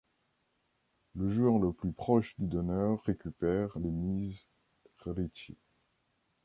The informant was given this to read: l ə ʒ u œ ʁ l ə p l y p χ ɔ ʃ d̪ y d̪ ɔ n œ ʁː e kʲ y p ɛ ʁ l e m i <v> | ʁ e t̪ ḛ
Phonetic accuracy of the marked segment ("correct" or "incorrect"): incorrect